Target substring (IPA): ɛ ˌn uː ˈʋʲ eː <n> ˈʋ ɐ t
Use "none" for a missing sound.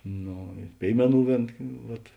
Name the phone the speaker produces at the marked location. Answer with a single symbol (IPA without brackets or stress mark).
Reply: n